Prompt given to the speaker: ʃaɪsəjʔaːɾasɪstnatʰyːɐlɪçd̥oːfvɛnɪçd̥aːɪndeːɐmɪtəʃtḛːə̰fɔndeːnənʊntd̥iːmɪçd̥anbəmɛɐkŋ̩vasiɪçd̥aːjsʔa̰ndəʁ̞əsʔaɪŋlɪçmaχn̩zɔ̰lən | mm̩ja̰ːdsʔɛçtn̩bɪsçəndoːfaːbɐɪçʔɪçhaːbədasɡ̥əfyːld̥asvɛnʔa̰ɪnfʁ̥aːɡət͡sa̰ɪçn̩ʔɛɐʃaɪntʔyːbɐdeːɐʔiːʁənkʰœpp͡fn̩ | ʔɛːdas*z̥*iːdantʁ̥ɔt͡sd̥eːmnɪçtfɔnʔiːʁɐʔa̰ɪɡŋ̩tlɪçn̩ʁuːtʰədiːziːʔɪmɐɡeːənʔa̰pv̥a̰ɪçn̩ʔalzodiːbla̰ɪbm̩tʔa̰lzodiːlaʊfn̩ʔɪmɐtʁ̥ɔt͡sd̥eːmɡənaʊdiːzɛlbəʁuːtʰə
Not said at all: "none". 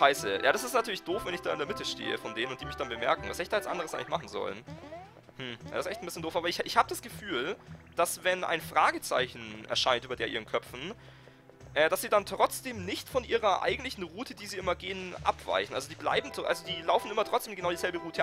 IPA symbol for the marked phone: z̥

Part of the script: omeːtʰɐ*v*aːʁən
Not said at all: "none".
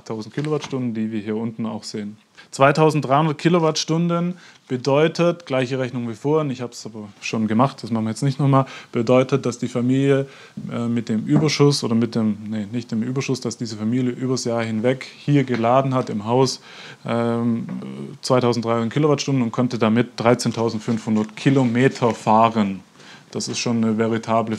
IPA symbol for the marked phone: f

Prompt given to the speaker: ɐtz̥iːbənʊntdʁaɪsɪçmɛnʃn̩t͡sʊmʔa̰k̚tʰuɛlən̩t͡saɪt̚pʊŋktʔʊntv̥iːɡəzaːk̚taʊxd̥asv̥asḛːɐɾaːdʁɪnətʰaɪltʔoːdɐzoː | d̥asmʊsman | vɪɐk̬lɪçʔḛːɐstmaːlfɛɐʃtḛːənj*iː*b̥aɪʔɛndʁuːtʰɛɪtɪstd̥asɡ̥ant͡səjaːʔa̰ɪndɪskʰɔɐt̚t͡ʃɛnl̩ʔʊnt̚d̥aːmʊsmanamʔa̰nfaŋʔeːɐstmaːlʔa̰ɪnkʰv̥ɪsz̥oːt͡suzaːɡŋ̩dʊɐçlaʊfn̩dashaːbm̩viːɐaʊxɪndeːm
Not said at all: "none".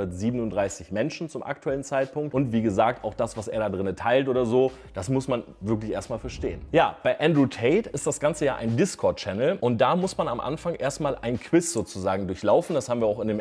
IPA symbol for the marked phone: aː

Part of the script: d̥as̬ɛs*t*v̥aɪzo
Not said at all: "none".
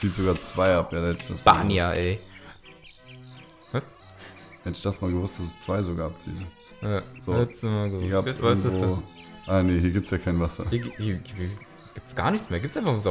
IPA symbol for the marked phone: t͡s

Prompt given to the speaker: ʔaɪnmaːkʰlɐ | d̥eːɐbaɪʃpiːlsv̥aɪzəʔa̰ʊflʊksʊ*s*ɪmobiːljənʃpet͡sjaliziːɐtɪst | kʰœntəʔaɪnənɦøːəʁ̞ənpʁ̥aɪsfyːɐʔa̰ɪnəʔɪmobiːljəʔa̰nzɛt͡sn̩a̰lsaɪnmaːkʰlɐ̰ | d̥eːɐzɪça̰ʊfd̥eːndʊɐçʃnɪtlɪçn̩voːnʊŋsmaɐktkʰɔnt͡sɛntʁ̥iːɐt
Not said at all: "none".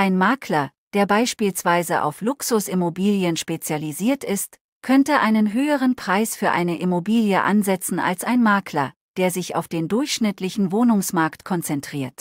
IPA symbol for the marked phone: s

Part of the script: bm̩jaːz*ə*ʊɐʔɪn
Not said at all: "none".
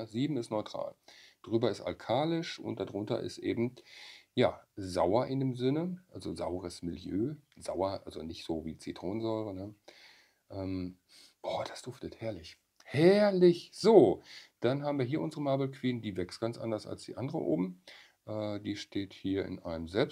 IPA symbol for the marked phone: a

